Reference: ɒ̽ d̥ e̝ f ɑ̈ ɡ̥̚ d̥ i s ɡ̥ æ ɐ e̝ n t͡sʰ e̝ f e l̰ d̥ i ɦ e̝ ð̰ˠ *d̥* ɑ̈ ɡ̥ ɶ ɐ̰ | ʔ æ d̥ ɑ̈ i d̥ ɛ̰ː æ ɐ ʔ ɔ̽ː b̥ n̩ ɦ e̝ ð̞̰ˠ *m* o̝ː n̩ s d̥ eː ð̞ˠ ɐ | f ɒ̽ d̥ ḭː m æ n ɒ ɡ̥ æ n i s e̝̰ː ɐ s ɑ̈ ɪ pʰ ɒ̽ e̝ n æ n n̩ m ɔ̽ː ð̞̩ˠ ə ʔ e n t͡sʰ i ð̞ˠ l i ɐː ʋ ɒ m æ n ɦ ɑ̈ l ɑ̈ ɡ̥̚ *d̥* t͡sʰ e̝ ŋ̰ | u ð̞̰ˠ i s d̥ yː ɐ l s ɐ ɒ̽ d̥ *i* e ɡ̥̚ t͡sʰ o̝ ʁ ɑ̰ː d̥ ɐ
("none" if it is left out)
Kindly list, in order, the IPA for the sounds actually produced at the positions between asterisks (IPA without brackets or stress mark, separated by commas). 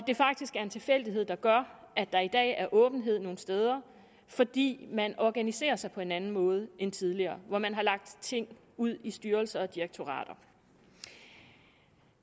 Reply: d̥, n, d̥, i